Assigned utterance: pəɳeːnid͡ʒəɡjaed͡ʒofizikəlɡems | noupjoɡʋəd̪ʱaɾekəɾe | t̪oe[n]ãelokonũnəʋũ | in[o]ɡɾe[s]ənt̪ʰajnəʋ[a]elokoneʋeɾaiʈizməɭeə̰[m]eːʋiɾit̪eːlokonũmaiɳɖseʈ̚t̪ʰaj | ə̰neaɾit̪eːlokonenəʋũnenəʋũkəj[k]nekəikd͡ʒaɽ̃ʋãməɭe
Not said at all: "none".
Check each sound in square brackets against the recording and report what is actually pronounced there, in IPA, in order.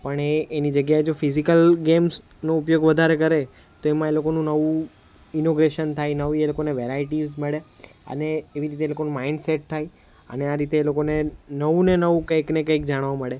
m, o, ʃ, i, n, k

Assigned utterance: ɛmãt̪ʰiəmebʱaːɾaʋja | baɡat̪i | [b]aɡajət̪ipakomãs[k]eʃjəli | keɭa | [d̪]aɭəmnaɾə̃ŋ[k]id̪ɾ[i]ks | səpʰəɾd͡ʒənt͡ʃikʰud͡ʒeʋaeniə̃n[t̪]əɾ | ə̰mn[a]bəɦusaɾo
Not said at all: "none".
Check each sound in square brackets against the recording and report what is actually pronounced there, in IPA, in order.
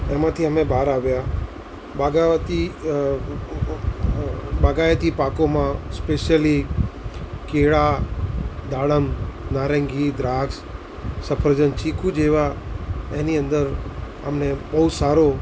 b, p, d̪, ɡ, a, d̪, e

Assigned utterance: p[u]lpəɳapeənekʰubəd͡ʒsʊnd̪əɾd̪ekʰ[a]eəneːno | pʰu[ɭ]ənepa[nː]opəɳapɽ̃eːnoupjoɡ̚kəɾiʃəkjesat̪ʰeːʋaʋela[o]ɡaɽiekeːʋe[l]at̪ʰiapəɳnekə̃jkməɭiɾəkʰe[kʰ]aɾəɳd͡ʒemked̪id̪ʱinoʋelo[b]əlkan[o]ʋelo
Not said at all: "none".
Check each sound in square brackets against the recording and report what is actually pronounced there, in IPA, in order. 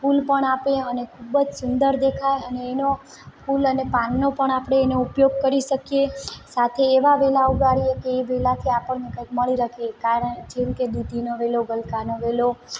u, a, l, nː, u, l, k, ɡ, o

